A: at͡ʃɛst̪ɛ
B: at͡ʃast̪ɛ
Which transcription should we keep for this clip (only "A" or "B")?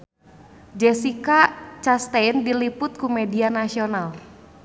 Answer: B